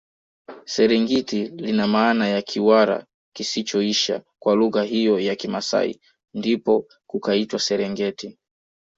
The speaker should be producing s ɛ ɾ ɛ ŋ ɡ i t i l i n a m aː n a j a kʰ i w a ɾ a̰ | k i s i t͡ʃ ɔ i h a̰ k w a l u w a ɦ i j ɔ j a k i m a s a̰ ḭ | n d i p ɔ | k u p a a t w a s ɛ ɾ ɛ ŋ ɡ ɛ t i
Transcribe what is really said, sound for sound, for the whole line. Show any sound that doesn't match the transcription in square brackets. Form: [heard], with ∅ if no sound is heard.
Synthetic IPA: s ɛ ɾ ɛ ŋ ɡ i t i l i n a m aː n a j a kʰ i w a ɾ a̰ | k i s i t͡ʃ ɔ i [ʃ] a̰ k w a l u [ɣ] a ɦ i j ɔ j a k i m a s a̰ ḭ | n d i p ɔ | k u [k] a [i] t w a s ɛ ɾ ɛ ŋ ɡ ɛ t i